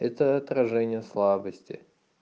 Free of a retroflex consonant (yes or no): no